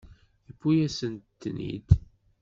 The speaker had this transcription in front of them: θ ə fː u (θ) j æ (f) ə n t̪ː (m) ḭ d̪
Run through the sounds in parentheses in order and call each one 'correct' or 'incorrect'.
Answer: incorrect, incorrect, incorrect

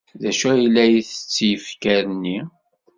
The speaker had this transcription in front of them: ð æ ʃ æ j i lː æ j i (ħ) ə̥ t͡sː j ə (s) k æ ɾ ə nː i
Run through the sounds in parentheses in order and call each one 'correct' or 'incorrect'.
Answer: incorrect, incorrect

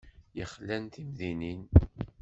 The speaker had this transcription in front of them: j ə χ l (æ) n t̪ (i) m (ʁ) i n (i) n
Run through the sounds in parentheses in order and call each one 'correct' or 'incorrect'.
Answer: correct, correct, incorrect, correct

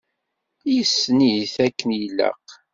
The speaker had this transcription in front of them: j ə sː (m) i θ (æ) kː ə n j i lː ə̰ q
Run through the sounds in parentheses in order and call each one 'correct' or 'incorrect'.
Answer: incorrect, correct

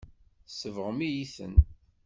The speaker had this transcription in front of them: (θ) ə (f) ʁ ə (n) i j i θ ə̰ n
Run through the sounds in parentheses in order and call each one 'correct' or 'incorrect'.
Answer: incorrect, incorrect, incorrect

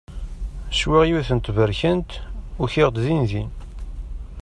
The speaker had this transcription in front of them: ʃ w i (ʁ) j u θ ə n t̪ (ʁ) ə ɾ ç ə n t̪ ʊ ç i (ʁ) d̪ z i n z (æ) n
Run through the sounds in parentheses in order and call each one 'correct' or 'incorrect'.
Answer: correct, incorrect, correct, incorrect

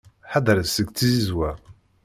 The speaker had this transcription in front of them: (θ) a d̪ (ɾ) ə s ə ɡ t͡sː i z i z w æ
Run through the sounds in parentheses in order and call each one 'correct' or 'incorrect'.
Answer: incorrect, correct

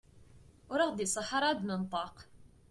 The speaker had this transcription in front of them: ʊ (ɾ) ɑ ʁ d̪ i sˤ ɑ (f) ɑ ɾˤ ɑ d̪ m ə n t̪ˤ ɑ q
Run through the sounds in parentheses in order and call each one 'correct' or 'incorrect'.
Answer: correct, incorrect

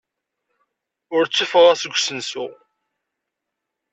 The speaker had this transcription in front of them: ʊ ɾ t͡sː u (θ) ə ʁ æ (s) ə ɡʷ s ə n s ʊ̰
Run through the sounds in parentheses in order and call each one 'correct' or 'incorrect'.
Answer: incorrect, correct

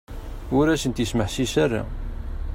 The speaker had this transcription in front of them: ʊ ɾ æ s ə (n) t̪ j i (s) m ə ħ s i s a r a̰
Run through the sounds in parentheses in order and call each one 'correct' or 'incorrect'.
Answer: correct, correct

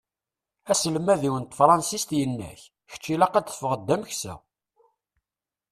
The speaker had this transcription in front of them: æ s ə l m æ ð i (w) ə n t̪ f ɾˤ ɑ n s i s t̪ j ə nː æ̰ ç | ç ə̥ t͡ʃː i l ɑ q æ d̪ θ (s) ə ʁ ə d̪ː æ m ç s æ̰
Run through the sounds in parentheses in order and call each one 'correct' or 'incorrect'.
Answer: correct, incorrect

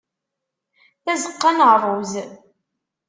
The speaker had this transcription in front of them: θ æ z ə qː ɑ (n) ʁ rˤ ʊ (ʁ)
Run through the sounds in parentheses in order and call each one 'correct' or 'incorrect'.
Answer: correct, incorrect

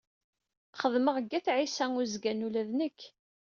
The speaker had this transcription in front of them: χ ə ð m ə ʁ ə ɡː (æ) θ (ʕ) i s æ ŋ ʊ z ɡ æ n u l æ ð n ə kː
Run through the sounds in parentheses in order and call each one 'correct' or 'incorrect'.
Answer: correct, correct

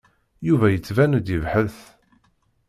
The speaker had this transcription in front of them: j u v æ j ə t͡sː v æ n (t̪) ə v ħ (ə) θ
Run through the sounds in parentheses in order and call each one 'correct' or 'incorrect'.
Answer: incorrect, correct

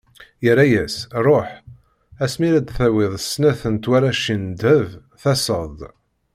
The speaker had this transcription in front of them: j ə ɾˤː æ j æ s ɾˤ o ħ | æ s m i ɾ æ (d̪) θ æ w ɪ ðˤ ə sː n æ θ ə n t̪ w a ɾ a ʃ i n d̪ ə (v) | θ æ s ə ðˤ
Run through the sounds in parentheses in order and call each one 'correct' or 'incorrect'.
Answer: correct, correct

